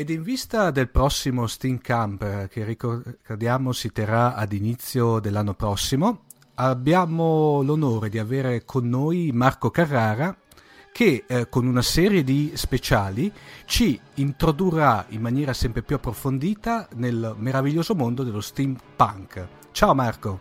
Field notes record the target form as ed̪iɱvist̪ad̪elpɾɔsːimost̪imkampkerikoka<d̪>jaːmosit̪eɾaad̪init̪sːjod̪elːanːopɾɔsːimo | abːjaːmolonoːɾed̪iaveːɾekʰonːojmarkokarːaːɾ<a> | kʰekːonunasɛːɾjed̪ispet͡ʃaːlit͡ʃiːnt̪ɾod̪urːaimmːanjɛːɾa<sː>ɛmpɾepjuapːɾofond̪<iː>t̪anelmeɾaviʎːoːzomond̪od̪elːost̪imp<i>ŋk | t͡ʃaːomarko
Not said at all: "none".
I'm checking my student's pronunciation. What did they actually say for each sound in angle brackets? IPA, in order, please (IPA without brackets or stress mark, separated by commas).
d̪, a, s, iː, a